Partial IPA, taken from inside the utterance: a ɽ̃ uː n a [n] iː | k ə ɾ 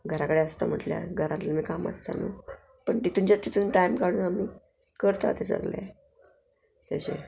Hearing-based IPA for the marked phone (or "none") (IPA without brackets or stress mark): m